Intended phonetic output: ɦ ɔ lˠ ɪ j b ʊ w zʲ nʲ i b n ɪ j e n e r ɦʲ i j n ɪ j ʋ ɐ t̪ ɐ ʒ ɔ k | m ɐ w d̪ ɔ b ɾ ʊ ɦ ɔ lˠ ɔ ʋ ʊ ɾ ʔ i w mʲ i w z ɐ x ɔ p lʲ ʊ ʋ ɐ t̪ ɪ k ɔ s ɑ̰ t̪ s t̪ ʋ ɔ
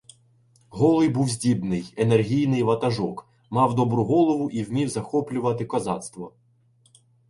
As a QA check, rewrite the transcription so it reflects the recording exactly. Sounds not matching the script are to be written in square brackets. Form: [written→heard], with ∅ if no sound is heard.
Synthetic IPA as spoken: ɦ ɔ lˠ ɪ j b [ʊ→u] w zʲ [nʲ→dʲ] i b n ɪ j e n e r ɦʲ i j n ɪ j ʋ ɐ t̪ ɐ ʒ ɔ k | m [ɐ→ɑ] w d̪ ɔ b ɾ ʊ ɦ ɔ lˠ ɔ ʋ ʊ [ɾ→∅] ʔ i w mʲ i w z ɐ x ɔ p lʲ ʊ ʋ ɐ t̪ ɪ k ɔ [s→z] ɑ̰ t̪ s t̪ ʋ ɔ